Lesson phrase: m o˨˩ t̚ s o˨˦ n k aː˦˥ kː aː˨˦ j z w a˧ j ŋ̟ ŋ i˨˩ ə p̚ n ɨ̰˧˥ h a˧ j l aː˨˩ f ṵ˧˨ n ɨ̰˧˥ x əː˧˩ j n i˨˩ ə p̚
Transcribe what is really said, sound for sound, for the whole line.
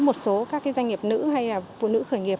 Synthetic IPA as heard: m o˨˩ t̚ s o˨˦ k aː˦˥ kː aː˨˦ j z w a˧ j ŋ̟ ŋ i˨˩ ə p̚ n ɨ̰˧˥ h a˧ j l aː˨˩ f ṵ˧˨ n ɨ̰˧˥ x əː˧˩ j ŋ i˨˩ ə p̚